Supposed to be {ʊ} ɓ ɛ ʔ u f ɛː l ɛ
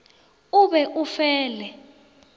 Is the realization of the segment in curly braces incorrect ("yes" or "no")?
yes